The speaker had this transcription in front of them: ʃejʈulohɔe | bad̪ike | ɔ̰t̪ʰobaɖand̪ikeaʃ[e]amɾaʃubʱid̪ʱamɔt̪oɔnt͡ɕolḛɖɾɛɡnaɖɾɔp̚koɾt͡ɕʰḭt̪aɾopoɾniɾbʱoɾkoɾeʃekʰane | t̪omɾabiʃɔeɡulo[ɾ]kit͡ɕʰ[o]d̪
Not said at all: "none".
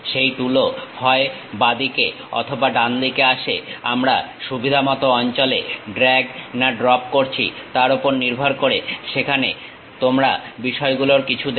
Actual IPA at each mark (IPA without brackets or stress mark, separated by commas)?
e, ɾ, u